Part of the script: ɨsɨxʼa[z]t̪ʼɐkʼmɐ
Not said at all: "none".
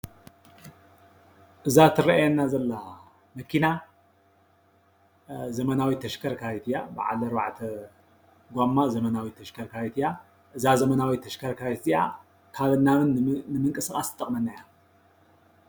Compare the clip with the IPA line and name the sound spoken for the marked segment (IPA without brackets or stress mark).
s